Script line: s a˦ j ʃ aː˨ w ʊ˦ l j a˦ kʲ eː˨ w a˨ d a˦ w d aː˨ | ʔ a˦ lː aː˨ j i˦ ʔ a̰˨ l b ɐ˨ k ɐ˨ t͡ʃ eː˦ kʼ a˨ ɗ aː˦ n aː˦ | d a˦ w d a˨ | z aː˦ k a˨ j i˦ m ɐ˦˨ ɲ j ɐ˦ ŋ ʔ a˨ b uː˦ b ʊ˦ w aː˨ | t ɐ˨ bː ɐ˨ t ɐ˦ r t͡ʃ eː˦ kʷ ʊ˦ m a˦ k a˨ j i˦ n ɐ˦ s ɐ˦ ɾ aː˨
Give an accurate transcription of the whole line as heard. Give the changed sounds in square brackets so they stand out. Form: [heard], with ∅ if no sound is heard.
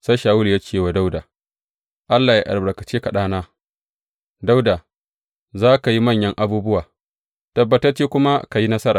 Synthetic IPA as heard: s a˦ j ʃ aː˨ w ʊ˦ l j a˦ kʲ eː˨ w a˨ d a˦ w d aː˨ | ʔ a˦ lː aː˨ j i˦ ʔ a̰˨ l b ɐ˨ k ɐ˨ t͡ʃ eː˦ [k] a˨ ɗ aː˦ n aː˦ | d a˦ w d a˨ | z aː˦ k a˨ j i˦ m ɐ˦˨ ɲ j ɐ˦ ŋ ʔ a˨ b uː˦ b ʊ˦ w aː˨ | t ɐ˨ bː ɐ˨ t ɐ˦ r t͡ʃ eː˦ kʷ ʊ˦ m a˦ k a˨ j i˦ n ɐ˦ s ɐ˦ ɾ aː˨